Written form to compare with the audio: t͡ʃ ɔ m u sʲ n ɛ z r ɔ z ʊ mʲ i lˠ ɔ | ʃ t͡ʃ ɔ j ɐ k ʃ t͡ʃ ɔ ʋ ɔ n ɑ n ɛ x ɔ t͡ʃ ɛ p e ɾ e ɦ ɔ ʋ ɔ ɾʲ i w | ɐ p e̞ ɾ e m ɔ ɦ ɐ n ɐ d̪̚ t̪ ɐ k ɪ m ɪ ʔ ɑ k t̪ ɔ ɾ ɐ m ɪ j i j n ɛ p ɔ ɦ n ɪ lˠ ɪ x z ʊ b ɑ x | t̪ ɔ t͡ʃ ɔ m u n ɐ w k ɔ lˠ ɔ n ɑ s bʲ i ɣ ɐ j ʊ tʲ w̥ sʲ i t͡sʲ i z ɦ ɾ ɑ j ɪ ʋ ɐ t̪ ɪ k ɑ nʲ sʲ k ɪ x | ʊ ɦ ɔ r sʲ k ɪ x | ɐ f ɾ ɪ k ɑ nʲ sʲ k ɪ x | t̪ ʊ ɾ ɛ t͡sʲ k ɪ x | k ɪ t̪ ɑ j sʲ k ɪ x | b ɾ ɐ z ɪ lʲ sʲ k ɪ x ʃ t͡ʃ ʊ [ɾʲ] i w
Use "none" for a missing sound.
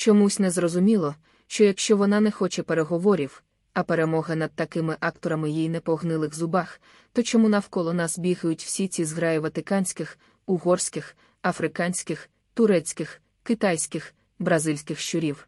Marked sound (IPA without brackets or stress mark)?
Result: ɾʲ